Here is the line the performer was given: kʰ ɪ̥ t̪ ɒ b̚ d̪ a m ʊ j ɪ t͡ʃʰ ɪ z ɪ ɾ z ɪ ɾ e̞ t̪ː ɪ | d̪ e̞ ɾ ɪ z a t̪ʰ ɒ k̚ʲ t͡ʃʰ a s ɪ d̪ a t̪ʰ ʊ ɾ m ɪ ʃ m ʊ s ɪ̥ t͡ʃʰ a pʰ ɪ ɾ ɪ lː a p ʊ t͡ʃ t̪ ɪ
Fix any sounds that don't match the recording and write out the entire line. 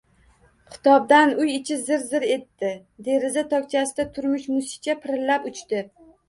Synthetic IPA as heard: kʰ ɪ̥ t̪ ɒ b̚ d̪ a n ʊ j ɪ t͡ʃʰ ɪ z ɪ ɾ z ɪ ɾ e̞ t̪ː ɪ | d̪ e̞ ɾ ɪ z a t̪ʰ ɒ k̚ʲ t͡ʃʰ a s ɪ d̪ a t̪ʰ ʊ ɾ m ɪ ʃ m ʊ s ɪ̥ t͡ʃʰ a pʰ ɪ ɾ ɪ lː a p ʊ t͡ʃ t̪ ɪ